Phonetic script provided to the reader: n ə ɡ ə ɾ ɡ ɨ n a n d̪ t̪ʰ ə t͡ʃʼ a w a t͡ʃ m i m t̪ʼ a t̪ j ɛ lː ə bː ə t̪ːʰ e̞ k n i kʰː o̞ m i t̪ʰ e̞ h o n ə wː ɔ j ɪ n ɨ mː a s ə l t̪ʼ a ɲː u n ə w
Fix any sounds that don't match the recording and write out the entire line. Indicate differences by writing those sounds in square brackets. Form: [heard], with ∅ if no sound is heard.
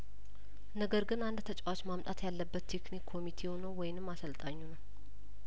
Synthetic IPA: n ə ɡ ə ɾ ɡ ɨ n a n d̪ t̪ʰ ə t͡ʃʼ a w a t͡ʃ m [a] m t̪ʼ a t̪ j [a] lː ə bː ə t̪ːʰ e̞ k n i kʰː o̞ m i t̪ʰ e̞ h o n ə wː ɔ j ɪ n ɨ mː a s ə l t̪ʼ a ɲː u n ə w